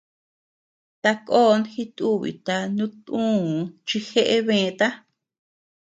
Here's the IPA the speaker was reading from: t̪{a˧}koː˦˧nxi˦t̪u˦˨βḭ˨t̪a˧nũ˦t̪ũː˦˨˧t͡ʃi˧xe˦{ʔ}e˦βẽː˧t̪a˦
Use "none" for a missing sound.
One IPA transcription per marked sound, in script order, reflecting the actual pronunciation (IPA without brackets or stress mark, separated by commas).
a˧, ʔ